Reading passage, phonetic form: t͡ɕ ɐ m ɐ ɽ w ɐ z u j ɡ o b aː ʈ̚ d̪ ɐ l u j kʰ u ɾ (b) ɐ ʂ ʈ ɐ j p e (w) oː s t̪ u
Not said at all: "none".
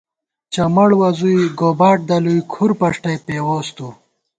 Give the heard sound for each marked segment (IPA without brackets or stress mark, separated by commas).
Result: p, w